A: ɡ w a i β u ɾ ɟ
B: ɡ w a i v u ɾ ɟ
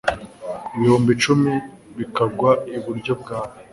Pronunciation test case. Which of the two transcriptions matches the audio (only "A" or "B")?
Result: A